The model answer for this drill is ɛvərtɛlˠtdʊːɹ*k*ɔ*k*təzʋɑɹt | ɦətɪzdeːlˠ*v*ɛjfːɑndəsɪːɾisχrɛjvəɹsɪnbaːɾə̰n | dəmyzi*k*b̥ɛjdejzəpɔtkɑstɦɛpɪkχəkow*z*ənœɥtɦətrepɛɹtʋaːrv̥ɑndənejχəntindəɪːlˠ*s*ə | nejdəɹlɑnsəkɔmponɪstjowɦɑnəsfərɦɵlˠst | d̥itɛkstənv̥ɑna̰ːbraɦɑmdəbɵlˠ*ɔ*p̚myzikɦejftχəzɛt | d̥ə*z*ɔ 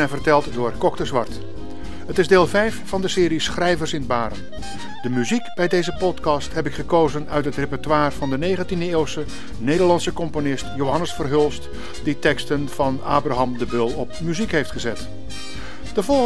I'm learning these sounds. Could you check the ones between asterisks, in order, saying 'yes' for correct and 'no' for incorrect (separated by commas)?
yes, yes, yes, yes, yes, yes, yes, no